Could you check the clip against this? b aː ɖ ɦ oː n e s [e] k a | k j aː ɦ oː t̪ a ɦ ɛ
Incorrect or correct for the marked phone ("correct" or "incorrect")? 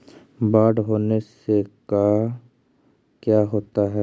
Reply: correct